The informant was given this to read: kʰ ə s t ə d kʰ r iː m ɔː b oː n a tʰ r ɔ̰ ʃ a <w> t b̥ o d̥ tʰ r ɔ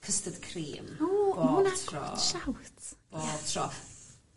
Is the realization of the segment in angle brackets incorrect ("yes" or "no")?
no